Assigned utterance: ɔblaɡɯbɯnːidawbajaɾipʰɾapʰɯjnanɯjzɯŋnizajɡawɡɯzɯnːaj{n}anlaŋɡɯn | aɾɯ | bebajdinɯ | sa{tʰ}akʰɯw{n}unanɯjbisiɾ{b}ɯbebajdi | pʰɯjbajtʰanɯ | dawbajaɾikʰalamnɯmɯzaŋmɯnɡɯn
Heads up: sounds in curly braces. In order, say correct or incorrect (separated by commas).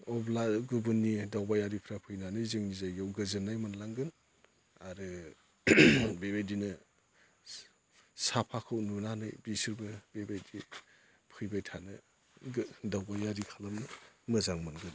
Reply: incorrect, incorrect, correct, correct